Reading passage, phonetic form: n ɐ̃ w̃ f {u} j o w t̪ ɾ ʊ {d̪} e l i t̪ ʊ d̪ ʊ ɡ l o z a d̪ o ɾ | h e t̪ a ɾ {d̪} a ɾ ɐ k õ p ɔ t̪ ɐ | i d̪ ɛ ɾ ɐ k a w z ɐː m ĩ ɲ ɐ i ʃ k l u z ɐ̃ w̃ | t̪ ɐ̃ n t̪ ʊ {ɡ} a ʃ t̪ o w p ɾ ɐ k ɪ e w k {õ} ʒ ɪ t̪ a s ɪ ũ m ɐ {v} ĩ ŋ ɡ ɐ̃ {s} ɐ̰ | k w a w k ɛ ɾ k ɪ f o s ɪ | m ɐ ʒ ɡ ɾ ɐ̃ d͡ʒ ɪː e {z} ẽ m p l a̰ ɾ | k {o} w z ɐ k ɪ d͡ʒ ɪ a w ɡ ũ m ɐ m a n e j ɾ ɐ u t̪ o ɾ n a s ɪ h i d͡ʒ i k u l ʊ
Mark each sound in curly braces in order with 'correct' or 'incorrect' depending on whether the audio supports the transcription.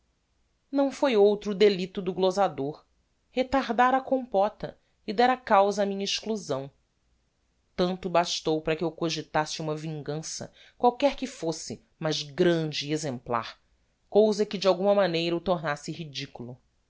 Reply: incorrect: o, correct, correct, incorrect: b, incorrect: o, correct, correct, correct, correct

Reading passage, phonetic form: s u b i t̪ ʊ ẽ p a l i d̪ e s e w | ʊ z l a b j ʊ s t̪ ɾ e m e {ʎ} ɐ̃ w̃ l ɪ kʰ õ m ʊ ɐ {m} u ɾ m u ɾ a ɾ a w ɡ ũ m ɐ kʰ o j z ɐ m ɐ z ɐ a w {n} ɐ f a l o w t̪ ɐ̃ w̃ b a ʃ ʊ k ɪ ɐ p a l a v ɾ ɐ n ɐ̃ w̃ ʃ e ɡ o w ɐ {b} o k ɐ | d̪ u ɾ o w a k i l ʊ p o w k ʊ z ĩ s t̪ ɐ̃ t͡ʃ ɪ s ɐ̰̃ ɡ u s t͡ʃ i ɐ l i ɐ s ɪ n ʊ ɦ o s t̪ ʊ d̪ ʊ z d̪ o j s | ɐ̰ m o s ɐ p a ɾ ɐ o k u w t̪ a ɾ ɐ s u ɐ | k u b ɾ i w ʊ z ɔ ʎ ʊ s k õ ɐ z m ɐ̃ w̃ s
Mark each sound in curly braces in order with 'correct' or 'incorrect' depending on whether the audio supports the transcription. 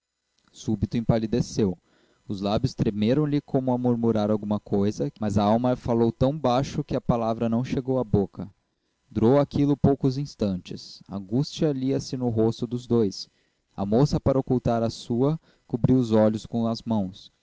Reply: incorrect: ɾ, correct, incorrect: m, correct

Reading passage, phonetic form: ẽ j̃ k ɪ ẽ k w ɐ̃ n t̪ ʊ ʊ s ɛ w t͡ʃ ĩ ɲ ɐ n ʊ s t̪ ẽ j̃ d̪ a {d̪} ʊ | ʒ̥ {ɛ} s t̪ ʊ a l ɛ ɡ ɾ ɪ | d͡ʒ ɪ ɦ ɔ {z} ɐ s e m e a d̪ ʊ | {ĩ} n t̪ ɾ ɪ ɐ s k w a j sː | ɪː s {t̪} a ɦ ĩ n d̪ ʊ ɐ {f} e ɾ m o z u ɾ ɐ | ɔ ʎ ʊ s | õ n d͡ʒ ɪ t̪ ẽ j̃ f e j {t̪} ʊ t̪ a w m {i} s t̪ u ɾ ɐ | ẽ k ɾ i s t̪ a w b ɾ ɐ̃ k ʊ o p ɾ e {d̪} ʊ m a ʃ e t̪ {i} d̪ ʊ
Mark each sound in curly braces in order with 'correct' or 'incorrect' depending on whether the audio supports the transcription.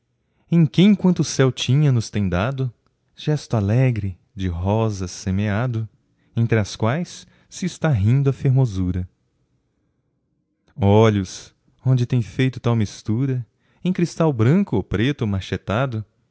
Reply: correct, correct, correct, incorrect: ẽ, correct, correct, correct, correct, incorrect: t̪, incorrect: a

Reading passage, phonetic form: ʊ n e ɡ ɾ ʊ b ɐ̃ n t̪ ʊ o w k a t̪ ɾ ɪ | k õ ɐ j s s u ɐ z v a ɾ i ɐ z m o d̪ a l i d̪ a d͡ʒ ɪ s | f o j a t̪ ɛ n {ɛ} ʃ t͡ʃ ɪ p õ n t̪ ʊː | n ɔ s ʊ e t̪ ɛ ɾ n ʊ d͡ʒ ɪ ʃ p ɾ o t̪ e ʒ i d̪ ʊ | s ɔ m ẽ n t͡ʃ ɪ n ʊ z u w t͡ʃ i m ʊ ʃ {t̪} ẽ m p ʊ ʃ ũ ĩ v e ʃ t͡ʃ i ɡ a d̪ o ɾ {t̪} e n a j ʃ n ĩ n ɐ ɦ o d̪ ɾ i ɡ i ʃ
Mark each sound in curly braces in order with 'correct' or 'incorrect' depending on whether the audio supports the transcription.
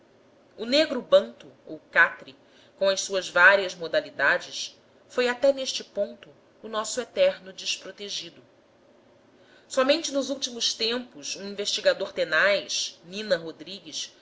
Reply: incorrect: e, correct, correct

